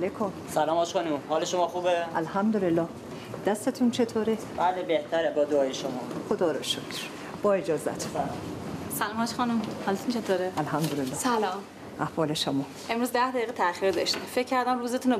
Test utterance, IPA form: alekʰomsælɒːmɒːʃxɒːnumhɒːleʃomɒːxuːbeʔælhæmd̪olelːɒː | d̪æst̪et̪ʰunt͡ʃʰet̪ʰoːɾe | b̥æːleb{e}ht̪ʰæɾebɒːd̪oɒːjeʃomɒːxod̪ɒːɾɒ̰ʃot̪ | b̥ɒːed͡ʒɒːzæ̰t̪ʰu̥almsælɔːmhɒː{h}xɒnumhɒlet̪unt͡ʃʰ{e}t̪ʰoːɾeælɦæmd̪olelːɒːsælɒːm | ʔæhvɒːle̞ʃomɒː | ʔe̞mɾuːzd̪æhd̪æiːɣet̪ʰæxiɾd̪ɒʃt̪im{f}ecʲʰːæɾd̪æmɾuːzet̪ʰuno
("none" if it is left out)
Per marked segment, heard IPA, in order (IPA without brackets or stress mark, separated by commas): e, ʃ, e, f